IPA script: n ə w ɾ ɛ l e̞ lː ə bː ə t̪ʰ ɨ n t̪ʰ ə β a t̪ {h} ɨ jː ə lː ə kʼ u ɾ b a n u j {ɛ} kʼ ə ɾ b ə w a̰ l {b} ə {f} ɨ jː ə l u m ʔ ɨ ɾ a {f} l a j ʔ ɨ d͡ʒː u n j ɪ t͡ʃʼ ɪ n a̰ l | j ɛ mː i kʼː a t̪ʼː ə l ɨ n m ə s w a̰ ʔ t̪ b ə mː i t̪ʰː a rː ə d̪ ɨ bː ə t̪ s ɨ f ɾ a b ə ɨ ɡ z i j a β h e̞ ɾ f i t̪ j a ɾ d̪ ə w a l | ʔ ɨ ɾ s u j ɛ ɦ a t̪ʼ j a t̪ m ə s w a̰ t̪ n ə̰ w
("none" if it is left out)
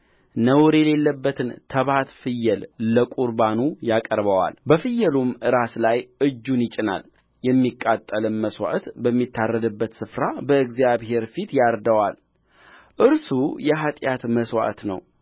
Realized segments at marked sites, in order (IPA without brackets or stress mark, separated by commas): f, a, b, f, s